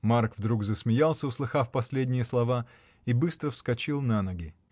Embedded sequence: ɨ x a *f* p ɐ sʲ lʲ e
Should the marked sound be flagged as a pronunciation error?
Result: no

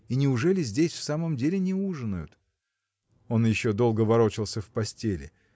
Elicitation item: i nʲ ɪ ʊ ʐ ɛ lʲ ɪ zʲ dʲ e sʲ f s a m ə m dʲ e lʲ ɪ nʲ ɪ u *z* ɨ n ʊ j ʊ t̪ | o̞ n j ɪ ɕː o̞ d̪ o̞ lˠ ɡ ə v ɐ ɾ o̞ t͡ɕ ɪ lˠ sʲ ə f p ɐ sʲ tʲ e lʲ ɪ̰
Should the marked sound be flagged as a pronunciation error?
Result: yes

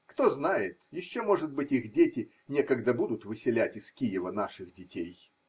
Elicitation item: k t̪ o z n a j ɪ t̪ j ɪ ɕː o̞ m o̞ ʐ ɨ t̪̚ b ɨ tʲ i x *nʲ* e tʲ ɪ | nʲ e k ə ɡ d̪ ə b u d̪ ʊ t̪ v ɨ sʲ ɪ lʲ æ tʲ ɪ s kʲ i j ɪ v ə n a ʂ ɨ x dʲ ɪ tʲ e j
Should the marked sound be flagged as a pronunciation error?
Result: yes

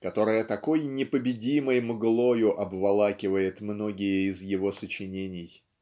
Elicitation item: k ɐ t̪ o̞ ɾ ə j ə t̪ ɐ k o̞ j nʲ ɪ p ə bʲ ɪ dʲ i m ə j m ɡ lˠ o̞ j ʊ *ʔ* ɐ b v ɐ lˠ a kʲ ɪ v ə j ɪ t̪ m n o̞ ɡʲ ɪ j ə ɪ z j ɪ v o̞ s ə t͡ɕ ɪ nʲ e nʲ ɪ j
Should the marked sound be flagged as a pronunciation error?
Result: no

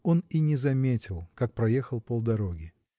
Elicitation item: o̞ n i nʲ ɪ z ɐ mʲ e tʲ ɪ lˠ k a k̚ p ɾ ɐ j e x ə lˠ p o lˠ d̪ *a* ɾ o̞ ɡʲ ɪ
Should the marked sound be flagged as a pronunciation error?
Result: yes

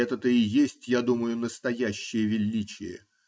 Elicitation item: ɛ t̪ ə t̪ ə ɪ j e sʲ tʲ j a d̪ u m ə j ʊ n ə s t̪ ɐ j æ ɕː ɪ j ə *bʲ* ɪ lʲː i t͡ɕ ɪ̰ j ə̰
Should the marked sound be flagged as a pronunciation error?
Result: yes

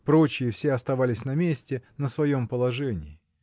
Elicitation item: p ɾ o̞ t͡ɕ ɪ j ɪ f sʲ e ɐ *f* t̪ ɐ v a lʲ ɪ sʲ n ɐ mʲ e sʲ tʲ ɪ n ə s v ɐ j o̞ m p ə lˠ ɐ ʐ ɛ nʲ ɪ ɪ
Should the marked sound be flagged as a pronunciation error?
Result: yes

